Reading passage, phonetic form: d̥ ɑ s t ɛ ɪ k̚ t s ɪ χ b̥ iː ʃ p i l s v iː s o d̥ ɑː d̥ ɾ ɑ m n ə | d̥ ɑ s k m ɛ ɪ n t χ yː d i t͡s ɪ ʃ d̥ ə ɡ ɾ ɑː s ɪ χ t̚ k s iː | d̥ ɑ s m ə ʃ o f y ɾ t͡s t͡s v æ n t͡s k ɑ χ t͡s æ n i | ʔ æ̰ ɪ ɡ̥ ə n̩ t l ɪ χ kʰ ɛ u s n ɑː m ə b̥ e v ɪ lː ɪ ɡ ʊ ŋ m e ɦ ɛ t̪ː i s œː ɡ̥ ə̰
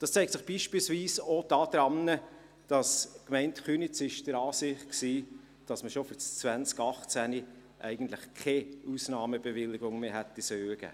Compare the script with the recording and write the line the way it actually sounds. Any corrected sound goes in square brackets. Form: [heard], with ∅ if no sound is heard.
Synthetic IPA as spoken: d̥ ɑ s [t͡s] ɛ ɪ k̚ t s ɪ χ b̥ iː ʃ p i l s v iː s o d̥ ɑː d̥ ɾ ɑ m n ə | d̥ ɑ s k m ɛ ɪ n t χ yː [n] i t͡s ɪ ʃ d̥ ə [∅] ɾ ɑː s ɪ χ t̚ k s iː | d̥ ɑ s m ə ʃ o f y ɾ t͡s t͡s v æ n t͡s k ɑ χ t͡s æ n i | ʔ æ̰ ɪ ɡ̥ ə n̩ t l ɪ χ kʰ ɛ u s n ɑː m ə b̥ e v ɪ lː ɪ ɡ ʊ ŋ m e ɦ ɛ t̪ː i s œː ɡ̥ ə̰